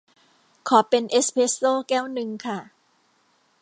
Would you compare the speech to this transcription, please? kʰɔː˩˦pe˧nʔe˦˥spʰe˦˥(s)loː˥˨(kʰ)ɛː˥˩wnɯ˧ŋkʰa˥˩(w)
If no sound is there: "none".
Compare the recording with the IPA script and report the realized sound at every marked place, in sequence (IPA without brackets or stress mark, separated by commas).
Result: s, k, none